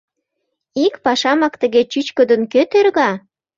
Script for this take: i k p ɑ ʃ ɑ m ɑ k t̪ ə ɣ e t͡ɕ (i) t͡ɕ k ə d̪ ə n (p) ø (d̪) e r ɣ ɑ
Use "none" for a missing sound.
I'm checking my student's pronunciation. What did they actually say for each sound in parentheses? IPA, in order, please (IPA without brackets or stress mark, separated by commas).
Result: y, k, t̪